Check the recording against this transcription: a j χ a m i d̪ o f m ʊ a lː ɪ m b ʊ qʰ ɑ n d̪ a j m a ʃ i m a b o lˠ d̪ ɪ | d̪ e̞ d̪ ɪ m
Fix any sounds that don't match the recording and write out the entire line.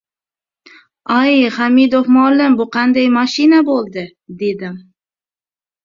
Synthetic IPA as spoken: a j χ a m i d̪ o f m ʊ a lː ɪ m b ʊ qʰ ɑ n d̪ a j m a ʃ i n a b o lˠ d̪ ɪ | d̪ e̞ d̪ ɪ m